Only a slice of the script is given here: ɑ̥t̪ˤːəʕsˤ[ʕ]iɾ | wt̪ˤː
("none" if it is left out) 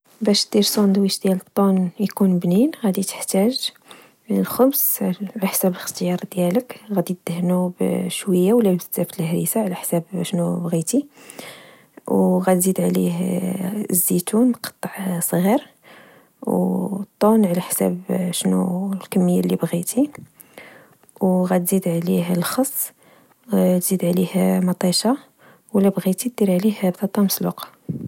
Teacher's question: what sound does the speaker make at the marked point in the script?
ɣ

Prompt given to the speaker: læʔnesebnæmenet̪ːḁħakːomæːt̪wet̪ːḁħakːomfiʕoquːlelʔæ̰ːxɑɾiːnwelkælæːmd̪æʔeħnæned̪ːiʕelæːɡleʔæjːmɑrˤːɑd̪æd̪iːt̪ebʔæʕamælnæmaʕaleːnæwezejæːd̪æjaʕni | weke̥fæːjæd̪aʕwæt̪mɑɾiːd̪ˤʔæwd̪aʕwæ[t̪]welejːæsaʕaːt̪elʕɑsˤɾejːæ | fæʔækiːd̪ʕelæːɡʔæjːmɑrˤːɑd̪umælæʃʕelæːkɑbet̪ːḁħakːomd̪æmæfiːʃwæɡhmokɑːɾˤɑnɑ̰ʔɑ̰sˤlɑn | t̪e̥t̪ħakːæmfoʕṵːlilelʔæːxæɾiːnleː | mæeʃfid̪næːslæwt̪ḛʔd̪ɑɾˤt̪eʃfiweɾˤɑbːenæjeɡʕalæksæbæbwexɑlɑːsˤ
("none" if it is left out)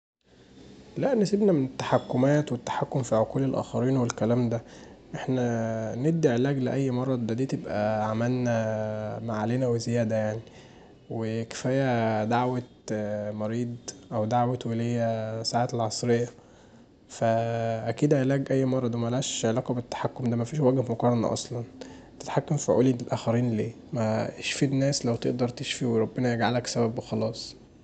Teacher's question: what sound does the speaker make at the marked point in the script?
t̪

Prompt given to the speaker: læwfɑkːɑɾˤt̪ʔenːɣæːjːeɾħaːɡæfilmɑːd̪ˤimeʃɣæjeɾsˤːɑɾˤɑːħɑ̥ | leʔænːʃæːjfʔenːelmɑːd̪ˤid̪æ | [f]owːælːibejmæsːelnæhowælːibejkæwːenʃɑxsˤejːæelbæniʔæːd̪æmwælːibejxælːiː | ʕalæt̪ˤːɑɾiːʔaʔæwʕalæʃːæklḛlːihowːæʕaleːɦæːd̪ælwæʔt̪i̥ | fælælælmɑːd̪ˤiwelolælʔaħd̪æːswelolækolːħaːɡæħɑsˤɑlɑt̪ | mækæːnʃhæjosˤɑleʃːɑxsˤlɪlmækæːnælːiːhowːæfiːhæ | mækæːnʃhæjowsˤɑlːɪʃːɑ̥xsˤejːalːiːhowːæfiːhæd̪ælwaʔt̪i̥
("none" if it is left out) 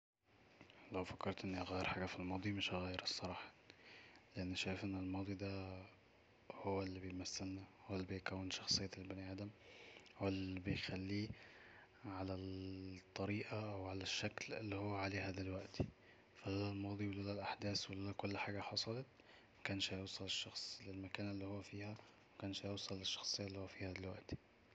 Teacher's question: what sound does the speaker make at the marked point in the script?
h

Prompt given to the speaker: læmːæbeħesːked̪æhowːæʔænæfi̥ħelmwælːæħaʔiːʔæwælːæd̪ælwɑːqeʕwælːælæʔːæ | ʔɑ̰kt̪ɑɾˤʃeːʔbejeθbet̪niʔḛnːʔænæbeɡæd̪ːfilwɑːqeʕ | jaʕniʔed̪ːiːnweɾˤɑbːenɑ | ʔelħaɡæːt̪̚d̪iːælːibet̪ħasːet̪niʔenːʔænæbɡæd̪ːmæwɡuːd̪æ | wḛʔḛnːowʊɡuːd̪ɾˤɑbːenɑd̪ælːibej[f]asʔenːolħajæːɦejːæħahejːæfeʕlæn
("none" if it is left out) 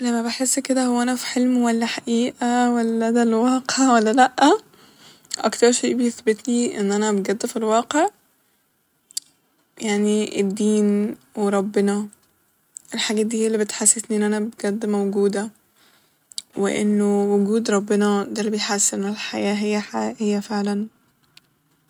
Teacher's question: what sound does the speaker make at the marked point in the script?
ħ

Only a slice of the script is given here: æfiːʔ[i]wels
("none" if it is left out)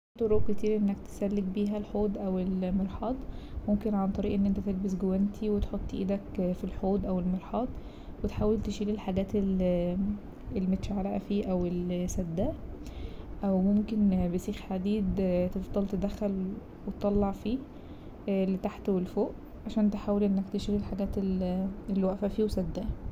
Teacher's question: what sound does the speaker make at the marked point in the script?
æ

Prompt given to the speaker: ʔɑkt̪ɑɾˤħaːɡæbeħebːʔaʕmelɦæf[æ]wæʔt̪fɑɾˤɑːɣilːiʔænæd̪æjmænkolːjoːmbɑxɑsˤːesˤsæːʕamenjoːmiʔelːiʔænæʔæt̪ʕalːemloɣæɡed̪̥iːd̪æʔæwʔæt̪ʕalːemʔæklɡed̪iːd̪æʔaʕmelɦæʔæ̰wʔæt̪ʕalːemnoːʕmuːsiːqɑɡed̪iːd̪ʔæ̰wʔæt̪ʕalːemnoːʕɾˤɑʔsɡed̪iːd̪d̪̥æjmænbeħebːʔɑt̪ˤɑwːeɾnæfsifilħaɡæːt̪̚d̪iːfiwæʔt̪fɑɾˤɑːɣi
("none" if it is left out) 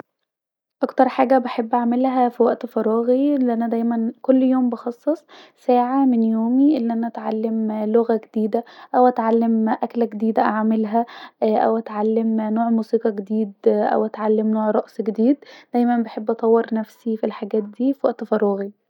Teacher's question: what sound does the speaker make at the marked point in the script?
i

